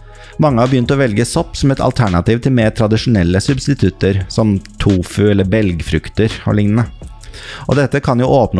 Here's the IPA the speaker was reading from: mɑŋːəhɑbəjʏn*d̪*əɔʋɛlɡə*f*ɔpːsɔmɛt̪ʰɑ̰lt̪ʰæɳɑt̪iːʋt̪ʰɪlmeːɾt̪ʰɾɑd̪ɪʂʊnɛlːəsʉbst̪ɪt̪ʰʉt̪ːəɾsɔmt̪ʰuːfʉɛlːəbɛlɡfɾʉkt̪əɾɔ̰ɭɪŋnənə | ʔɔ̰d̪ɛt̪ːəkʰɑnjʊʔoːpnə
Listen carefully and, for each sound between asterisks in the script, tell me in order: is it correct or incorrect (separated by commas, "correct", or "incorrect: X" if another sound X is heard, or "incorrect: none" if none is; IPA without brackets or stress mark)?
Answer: incorrect: t̪, incorrect: s